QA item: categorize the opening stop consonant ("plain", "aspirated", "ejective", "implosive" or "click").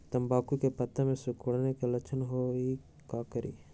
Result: plain